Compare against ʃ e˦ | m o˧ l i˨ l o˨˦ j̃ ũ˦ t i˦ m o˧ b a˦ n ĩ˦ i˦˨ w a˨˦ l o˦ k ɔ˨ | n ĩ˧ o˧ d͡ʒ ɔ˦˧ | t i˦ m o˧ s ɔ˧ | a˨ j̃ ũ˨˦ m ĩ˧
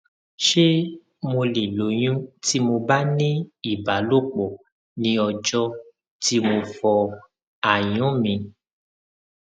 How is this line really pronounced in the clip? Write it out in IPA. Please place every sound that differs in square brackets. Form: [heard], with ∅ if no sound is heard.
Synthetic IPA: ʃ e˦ | m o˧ l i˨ l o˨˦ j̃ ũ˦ t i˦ m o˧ b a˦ n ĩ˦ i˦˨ [b] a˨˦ l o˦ [k͡p] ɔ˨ | n ĩ˧ [ɔ˧] d͡ʒ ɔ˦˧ | t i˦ m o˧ [f] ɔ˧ | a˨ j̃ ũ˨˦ m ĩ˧